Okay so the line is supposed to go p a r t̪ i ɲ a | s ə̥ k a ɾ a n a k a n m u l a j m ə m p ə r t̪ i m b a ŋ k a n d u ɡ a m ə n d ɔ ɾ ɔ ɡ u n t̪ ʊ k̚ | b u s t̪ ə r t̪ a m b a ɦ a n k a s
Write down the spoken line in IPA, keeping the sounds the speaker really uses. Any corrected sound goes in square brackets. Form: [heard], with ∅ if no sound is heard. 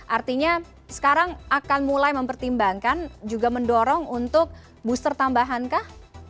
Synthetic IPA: [ʔ] a r t̪ i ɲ a | s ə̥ k a ɾ a [ŋ] a k a n m u l a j m ə m p ə r t̪ i m b a ŋ k a n [d͡ʒ] u ɡ a m ə n d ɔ ɾ ɔ [ŋ] u n t̪ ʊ k̚ | b u s t̪ ə r t̪ a m b a ɦ a n k a [h]